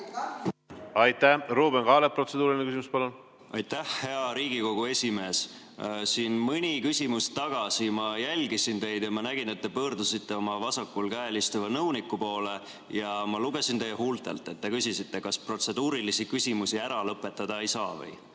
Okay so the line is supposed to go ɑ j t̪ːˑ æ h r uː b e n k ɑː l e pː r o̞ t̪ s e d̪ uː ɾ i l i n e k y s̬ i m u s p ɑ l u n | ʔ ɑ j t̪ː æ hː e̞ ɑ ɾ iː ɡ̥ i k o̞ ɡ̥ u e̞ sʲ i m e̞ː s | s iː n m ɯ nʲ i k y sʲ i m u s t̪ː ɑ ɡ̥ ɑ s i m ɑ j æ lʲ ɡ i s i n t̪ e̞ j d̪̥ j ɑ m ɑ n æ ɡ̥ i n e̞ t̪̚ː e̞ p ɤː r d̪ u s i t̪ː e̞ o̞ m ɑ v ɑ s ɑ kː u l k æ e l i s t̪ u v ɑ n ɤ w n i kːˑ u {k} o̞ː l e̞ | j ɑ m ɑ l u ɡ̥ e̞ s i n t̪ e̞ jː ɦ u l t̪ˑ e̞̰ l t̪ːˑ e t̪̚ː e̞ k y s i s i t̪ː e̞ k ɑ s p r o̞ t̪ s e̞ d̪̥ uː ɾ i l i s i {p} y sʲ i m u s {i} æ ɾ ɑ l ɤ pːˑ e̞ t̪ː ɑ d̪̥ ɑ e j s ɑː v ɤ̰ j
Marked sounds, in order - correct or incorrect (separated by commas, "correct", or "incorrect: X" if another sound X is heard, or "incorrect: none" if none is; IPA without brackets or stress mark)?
incorrect: p, incorrect: k, correct